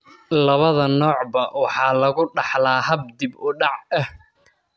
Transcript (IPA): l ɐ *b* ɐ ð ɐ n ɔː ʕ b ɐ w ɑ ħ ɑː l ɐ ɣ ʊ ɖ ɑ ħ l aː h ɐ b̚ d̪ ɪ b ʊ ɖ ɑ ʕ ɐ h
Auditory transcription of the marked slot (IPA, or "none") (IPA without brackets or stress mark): β